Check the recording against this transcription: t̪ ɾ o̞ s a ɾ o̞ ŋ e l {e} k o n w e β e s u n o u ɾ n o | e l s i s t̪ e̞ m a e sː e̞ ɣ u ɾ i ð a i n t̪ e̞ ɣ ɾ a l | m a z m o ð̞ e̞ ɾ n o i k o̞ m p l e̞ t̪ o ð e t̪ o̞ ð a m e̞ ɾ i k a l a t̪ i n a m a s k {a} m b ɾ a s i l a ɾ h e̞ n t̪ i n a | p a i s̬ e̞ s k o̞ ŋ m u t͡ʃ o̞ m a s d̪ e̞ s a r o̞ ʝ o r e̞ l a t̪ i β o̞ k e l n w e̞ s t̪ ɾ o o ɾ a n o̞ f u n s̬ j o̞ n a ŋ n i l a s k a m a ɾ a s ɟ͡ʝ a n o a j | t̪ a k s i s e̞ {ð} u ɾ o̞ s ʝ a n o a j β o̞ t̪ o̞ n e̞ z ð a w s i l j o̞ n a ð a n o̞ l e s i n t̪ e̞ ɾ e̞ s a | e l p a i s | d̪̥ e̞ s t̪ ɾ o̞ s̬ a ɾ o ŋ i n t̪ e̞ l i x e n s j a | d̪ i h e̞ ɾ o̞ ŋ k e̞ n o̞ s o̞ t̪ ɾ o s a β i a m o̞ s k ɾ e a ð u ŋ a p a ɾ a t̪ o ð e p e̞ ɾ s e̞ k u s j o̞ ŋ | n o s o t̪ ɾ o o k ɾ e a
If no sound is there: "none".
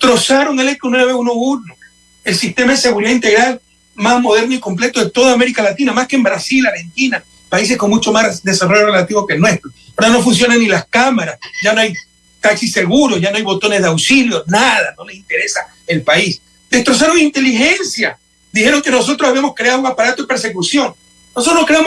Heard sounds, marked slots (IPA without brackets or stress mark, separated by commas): e, e, ɣ